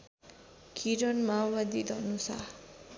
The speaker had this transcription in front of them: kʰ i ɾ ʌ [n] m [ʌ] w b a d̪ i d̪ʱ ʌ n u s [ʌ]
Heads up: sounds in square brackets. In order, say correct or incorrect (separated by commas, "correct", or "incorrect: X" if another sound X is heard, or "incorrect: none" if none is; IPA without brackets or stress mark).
correct, incorrect: a, incorrect: a